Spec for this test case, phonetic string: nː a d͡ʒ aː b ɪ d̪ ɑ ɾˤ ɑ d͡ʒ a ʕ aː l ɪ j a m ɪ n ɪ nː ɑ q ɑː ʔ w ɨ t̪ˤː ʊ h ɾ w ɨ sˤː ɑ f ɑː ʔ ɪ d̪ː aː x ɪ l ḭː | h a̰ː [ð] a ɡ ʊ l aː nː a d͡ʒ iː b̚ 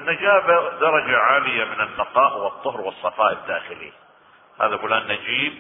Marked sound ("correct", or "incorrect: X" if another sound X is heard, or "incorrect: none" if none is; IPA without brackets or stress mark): correct